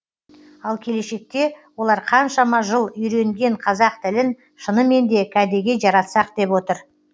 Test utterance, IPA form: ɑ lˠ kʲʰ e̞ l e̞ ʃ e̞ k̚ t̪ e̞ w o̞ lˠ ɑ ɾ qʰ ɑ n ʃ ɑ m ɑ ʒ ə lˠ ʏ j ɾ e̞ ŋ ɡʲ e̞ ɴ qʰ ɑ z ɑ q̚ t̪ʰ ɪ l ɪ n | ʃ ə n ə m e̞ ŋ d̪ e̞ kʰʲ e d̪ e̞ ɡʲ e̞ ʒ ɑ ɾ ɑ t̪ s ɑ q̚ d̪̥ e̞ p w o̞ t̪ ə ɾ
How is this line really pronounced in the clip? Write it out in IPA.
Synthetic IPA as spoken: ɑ lˠ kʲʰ e̞ l e̞ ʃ e̞ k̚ t̪ e̞ w o̞ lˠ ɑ ɾ qʰ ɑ n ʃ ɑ m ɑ ʒ ə lˠ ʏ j ɾ e̞ ŋ ɡʲ e̞ ɴ qʰ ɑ z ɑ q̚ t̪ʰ ɪ l ɪ n | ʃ ə n ə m e̞ n d̪ e̞ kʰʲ æ d̪ e̞ ɡʲ e̞ ʒ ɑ ɾ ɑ t̪ s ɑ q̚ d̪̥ e̞ p w o̞ t̪ ə ɾ